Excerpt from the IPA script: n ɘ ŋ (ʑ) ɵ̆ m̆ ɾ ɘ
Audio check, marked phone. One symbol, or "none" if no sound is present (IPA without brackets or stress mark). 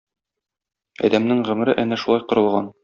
ʁ